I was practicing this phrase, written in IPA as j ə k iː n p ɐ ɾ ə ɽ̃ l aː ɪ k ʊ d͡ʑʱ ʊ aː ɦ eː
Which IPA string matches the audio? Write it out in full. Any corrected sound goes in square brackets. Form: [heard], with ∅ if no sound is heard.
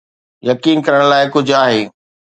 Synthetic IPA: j [ɐ] k iː n [k] ɐ ɾ ə ɽ̃ l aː ɪ k ʊ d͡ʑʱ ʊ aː ɦ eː